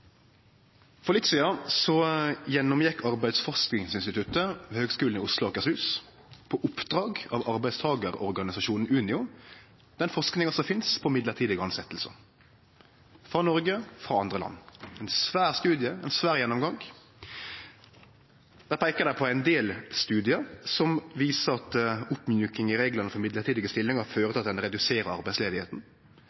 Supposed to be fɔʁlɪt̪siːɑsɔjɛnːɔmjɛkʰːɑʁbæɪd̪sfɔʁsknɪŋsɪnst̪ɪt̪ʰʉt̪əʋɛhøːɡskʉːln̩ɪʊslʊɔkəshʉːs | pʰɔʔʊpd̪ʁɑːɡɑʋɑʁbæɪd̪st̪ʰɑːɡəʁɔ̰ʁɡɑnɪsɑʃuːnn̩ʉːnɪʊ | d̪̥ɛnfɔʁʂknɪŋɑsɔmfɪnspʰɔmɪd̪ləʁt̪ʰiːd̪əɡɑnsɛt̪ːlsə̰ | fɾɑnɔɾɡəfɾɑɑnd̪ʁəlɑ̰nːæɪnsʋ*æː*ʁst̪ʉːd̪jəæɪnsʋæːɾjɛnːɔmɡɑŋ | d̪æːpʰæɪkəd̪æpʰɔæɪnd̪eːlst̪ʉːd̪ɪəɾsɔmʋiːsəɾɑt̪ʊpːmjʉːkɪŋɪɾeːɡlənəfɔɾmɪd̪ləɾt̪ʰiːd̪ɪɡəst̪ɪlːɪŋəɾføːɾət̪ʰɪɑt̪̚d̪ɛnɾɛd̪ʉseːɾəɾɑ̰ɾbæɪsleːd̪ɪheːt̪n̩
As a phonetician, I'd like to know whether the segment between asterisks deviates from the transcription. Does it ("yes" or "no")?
no